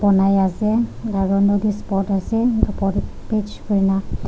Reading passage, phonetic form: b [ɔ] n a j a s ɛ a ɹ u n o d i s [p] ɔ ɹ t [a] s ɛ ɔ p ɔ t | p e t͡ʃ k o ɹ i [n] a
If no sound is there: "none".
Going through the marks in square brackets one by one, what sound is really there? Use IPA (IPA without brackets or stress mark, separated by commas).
ɔ, p, a, n